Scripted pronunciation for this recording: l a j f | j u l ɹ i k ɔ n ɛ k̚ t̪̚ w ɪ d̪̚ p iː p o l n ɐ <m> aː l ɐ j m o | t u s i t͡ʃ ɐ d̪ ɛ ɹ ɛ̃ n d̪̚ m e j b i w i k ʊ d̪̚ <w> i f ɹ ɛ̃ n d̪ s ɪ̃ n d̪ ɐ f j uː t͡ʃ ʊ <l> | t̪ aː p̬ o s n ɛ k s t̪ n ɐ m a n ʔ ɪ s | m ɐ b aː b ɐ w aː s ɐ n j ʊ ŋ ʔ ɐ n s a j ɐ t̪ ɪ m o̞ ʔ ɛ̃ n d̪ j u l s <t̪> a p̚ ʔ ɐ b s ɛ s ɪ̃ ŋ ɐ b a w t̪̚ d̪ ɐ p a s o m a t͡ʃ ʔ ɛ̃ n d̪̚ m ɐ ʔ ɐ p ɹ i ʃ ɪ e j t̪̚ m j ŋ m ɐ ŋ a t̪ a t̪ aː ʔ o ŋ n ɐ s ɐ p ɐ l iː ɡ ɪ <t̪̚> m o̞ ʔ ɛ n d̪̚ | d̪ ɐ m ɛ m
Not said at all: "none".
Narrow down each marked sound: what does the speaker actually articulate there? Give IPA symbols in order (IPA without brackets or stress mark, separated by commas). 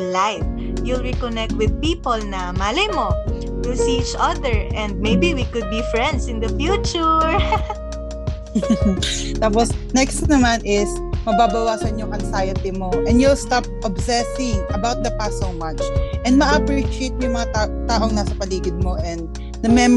m, b, ɹ, t̪, d̪̚